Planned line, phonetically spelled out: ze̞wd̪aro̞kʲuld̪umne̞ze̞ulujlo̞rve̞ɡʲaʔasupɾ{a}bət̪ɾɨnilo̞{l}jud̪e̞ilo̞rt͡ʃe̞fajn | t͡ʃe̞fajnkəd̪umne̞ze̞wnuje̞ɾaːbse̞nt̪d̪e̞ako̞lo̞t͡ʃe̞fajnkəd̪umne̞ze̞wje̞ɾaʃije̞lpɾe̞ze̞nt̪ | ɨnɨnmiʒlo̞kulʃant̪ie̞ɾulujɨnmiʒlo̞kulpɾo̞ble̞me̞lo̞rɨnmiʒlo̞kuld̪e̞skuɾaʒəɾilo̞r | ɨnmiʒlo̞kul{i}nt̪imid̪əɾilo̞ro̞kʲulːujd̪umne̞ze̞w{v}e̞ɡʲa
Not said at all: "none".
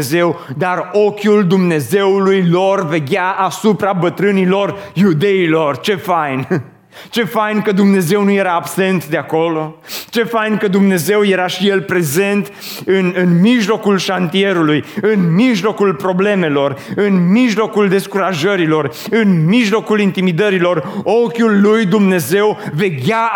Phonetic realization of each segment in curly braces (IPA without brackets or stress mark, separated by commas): a, r, i, v